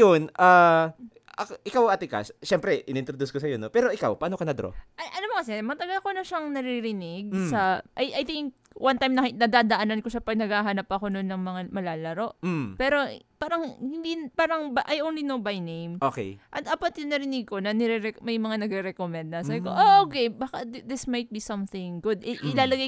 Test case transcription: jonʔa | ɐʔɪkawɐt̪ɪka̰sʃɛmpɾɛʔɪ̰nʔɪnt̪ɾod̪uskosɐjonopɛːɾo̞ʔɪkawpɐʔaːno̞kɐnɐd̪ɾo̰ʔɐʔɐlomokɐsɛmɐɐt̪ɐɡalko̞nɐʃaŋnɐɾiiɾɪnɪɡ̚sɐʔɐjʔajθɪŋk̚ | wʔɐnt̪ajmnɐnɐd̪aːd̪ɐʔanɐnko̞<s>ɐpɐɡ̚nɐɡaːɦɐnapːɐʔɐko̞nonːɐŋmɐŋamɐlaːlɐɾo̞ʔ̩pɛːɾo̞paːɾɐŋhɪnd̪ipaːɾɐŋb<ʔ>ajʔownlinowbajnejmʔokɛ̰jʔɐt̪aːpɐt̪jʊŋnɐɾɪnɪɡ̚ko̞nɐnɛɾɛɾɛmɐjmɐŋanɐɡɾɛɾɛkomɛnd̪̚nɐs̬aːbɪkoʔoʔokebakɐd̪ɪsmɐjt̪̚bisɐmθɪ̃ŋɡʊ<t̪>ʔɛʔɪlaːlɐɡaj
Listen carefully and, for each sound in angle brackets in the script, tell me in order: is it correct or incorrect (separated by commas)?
incorrect, correct, incorrect